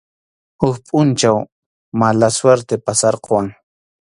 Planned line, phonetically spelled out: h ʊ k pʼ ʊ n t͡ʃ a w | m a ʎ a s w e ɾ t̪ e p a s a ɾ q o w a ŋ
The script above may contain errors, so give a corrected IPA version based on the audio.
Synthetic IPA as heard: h ʊ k pʼ ʊ n t͡ʃ a w | m a l a s w e ɾ t̪ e p a s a ɾ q o w a ŋ